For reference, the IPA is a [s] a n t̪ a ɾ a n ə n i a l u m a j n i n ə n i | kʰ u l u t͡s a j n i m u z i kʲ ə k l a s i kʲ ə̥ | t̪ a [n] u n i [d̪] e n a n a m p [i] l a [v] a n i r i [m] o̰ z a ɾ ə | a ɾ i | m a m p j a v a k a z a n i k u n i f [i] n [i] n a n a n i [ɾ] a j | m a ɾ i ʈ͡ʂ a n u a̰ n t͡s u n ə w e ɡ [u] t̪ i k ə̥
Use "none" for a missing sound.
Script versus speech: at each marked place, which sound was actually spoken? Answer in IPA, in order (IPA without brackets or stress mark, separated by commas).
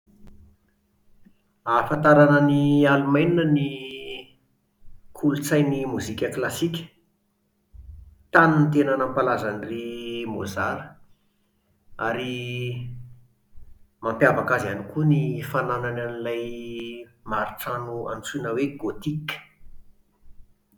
f, n, t̪, a, z, m, a, a, l, o